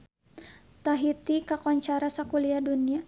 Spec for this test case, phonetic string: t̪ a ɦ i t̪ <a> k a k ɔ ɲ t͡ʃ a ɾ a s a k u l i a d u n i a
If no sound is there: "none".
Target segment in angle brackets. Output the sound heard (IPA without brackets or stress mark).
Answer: i